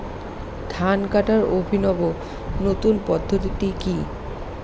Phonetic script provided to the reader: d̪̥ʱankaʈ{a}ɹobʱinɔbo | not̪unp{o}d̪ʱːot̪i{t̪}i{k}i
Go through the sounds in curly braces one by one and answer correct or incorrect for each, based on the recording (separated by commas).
correct, incorrect, correct, correct